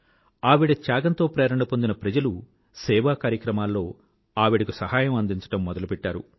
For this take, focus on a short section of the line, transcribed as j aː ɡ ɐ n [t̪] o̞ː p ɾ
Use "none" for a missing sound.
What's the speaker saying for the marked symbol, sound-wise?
t̪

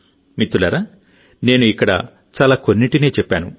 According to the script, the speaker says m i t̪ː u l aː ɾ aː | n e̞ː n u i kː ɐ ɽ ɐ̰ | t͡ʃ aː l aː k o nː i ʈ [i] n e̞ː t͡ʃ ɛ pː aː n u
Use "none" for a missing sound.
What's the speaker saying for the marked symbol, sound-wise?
i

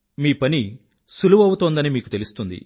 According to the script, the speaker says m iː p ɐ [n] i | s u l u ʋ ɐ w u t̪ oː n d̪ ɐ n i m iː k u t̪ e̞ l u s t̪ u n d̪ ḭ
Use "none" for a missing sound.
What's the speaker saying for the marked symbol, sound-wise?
n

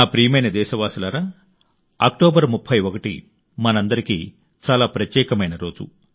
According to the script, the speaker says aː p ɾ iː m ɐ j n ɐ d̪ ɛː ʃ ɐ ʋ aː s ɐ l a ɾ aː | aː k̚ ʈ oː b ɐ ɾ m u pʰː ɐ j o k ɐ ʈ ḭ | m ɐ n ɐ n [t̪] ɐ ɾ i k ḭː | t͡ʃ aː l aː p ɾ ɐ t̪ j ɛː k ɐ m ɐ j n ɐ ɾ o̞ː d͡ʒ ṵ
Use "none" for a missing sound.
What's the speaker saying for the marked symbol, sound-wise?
d̪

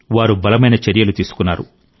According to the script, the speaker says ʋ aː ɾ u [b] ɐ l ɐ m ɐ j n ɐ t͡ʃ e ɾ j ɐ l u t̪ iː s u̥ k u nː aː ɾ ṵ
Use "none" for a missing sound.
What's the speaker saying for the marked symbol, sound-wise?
b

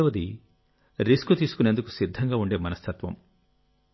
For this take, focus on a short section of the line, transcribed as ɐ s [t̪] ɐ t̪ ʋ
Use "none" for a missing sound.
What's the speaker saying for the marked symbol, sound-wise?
t̪ʰ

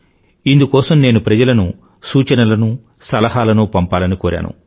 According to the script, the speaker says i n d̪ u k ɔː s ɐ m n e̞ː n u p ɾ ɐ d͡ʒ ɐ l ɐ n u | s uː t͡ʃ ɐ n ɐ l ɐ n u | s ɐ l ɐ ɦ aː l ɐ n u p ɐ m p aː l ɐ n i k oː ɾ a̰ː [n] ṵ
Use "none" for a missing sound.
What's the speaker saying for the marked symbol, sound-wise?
n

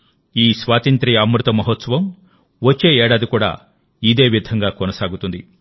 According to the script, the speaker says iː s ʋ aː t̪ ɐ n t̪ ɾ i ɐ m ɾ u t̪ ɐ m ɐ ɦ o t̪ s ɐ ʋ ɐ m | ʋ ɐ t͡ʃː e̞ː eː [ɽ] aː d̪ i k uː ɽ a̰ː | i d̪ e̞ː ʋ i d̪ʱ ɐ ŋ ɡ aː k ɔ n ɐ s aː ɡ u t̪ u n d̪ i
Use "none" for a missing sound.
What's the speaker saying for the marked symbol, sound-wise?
ɽ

